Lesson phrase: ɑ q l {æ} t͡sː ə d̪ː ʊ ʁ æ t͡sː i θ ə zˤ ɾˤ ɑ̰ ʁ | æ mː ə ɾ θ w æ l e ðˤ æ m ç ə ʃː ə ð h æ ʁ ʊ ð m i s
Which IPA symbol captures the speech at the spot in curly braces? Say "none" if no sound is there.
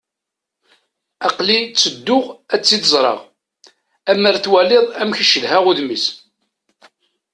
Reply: i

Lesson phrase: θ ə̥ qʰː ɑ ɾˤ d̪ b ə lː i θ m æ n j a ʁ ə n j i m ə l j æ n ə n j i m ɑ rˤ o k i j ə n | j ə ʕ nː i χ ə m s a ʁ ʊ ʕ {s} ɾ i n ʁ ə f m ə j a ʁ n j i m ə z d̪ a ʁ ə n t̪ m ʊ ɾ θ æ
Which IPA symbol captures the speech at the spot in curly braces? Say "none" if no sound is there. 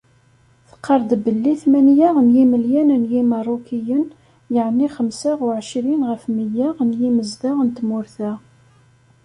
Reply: ʃ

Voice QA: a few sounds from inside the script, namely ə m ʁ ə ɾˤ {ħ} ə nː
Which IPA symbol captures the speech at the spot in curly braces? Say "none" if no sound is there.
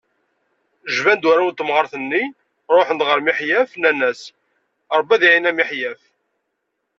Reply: θ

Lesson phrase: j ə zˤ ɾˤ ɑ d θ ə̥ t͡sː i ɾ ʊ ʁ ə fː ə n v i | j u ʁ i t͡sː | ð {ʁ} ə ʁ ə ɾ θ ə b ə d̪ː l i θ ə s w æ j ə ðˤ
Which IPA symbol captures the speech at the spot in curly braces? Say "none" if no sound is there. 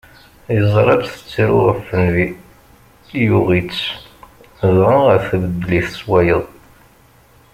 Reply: ʁ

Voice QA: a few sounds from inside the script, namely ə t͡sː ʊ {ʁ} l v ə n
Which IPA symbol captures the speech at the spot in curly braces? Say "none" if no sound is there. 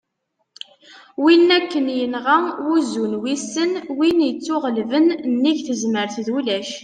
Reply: ʁ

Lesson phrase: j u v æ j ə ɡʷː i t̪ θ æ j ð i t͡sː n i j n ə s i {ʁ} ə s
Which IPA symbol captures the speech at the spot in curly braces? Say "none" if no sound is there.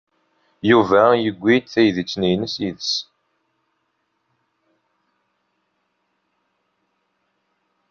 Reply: ð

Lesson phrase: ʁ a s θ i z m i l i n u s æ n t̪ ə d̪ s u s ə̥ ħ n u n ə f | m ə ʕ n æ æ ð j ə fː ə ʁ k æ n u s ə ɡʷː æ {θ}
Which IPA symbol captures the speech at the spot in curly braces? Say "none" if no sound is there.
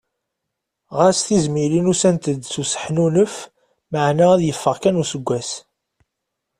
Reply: s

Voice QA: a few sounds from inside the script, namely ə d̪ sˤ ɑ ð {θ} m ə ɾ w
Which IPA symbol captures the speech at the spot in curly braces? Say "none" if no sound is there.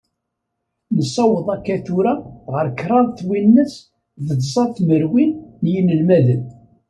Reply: θ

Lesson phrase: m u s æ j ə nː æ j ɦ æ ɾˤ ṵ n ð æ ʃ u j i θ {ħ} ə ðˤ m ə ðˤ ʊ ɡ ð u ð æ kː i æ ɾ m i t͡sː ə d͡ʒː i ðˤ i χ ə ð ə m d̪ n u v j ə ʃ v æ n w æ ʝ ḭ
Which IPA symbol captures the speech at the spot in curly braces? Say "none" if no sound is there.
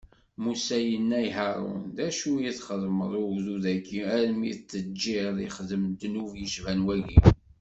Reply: χ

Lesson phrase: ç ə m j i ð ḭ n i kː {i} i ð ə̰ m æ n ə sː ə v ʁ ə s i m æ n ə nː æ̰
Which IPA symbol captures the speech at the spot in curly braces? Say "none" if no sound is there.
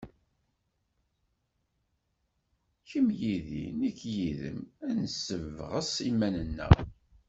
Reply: j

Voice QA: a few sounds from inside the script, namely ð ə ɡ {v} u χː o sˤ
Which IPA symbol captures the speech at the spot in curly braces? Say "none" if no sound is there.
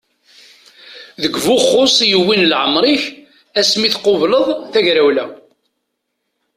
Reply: v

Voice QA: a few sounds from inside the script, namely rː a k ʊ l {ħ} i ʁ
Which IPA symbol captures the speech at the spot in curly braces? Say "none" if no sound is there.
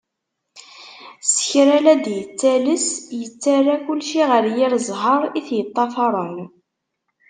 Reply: ʃ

